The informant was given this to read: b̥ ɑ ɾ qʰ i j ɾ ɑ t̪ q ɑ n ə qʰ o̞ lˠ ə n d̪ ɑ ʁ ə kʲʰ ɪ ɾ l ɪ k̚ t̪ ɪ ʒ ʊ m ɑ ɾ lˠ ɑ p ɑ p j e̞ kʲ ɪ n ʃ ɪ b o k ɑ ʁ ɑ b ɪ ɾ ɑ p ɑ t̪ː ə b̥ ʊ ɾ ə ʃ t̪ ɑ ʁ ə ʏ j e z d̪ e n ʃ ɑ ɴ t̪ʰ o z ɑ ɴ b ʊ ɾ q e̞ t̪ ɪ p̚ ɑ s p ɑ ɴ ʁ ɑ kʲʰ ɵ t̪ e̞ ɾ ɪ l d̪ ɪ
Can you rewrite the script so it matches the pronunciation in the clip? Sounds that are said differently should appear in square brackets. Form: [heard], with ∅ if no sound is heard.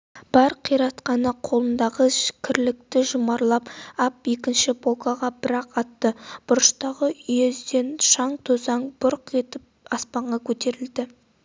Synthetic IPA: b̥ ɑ ɾ qʰ i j ɾ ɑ t̪ q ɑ n ə qʰ o̞ lˠ ə n d̪ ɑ ʁ ə kʲʰ ɪ ɾ l ɪ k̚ t̪ ɪ ʒ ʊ m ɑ ɾ lˠ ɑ p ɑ p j e̞ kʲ ɪ n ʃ ɪ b o k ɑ ʁ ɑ b ɪ ɾ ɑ [q] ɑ t̪ː ə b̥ ʊ ɾ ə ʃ t̪ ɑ ʁ ə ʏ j e z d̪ e n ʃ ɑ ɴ t̪ʰ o z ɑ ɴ b ʊ ɾ q e̞ t̪ ɪ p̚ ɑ s p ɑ ɴ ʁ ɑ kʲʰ ɵ t̪ e̞ ɾ ɪ l d̪ ɪ

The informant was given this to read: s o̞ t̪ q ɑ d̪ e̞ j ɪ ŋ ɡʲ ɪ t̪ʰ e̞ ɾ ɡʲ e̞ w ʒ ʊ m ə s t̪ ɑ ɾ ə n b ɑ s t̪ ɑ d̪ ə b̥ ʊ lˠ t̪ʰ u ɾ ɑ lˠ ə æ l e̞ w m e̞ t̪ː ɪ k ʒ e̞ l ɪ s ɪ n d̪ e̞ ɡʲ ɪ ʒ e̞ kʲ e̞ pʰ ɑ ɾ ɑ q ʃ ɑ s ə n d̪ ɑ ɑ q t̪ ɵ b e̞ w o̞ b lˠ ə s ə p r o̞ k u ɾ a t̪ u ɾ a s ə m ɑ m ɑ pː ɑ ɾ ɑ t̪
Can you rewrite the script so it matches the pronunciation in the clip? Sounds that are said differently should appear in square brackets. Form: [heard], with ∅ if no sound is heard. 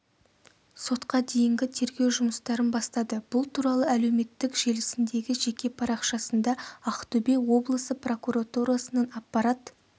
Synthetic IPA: s o̞ t̪ q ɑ d̪ e̞ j ɪ ŋ ɡʲ ɪ t̪ʰ e̞ ɾ ɡʲ e̞ w ʒ ʊ m ə s t̪ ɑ ɾ ə n b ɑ s t̪ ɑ d̪ ə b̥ ʊ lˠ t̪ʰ u ɾ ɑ lˠ ə æ l e̞ w m e̞ t̪ː ɪ k ʒ e̞ l ɪ s ɪ n d̪ e̞ ɡʲ ɪ ʒ e̞ kʲ e̞ pʰ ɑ ɾ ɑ q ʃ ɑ s ə n d̪ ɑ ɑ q t̪ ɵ b e̞ w o̞ b lˠ ə s ə p r o̞ k u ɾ a t̪ u ɾ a s ə [n] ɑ [n] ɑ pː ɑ ɾ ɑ t̪

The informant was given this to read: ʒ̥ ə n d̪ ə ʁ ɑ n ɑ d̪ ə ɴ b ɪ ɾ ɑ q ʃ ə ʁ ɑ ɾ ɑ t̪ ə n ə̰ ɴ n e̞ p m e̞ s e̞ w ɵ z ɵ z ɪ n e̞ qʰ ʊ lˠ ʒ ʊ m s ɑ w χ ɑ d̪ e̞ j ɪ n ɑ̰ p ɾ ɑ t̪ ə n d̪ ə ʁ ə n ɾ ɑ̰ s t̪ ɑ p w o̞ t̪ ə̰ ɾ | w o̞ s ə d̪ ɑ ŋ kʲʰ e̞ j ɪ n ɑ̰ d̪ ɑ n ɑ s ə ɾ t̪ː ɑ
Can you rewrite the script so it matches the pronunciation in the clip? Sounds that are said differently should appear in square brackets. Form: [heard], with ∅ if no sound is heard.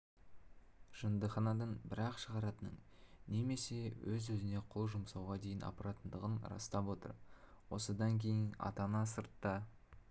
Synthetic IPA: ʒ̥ ə n d̪ ə [χ] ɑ n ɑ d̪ ə ɴ b ɪ ɾ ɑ q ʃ ə ʁ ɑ ɾ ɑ t̪ ə n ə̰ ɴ n e̞ [∅] m e̞ s e̞ w ɵ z ɵ z ɪ n e̞ qʰ ʊ lˠ ʒ ʊ m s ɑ w [ʁ] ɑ d̪ e̞ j ɪ n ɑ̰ p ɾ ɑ t̪ ə n d̪ ə ʁ ə n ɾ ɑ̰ s t̪ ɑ p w o̞ t̪ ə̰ ɾ | w o̞ s ə d̪ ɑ ŋ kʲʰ e̞ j ɪ n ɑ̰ [t̪] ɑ n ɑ s ə ɾ t̪ː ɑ

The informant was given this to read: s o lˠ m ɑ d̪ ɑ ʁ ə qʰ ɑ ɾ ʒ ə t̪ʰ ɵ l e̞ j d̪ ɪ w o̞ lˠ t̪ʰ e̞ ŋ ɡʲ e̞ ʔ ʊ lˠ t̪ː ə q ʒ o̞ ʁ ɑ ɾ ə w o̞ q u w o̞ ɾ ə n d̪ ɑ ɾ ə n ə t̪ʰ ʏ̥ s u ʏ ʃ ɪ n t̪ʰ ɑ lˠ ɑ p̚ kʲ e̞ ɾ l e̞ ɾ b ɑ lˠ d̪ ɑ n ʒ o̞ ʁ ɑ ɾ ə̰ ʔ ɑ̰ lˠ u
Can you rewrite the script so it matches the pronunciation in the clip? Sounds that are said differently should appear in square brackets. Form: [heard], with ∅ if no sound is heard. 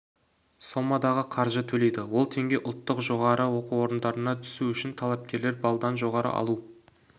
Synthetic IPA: s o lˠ m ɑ d̪ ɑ ʁ ə qʰ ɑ ɾ ʒ ə t̪ʰ ɵ l e̞ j d̪ ɪ w o̞ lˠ t̪ʰ e̞ ŋ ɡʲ e̞ ʔ ʊ lˠ t̪ː ə q ʒ o̞ ʁ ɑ ɾ ə w o̞ q u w o̞ ɾ ə n d̪ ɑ ɾ ə n [ɑ] t̪ʰ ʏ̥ s u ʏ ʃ ɪ n t̪ʰ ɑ lˠ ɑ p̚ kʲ e̞ ɾ l e̞ ɾ b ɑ lˠ d̪ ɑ n ʒ o̞ ʁ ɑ ɾ ə̰ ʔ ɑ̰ lˠ u

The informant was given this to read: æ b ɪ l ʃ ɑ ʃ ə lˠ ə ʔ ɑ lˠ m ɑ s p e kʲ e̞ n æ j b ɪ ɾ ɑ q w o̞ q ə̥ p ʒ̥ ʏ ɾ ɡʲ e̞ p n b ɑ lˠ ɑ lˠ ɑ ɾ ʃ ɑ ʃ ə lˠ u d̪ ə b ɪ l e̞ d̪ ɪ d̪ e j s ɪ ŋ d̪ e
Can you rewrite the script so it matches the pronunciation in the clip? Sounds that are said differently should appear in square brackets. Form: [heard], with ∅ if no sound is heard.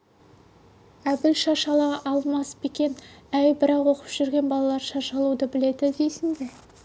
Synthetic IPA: æ b ɪ l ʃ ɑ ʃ [ɑ] lˠ [ɑ] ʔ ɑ lˠ m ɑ s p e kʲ e̞ n æ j b ɪ ɾ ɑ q w o̞ q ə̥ p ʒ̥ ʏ ɾ ɡʲ e̞ [∅] n b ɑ lˠ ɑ lˠ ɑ ɾ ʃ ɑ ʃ [ɑ] lˠ u d̪ ə b ɪ l e̞ d̪ ɪ d̪ e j s ɪ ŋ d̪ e

